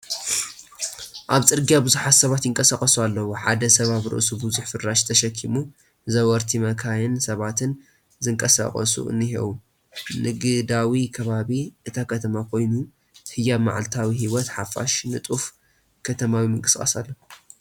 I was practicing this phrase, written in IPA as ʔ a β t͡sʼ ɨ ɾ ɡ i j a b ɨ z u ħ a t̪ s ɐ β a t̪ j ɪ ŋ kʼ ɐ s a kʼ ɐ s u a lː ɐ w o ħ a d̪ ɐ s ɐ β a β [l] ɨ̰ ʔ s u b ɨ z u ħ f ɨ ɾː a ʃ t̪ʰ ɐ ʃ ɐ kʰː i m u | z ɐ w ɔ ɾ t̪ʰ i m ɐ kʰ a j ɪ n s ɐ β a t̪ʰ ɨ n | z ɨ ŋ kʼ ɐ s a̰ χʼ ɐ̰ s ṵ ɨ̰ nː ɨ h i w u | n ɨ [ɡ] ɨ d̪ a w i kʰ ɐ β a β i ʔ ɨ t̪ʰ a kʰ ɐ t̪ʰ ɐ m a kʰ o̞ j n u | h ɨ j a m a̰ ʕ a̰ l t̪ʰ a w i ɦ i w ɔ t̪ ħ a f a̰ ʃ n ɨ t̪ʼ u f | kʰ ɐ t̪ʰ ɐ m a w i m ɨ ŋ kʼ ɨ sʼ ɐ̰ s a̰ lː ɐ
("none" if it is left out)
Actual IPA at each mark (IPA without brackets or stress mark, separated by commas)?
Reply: ɾ, ɡ